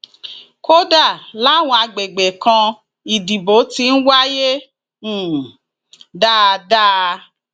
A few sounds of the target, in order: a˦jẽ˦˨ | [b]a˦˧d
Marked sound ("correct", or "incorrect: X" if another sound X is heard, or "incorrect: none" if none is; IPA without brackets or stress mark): incorrect: d